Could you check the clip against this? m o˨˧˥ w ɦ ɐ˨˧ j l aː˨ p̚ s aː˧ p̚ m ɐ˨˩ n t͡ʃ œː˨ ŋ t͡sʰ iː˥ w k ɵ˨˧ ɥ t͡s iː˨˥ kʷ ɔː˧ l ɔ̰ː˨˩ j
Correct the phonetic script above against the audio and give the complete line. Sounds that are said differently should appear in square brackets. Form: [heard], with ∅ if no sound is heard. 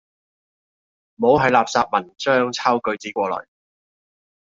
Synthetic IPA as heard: m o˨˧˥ w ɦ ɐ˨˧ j l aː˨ p̚ s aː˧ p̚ m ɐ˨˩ n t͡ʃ [œː˥] ŋ t͡sʰ [aː˥] w k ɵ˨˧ ɥ t͡s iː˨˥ kʷ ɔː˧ l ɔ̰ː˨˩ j